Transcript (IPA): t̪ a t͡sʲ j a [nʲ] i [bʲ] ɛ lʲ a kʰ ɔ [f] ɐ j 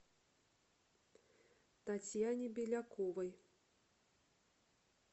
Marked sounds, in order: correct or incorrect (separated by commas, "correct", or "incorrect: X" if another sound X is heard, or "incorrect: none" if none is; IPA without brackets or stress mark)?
correct, correct, incorrect: v